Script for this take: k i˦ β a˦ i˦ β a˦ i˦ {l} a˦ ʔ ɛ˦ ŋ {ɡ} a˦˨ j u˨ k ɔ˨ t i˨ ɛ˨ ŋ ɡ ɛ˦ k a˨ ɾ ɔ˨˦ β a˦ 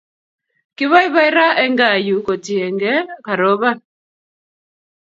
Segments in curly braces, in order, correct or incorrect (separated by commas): incorrect, correct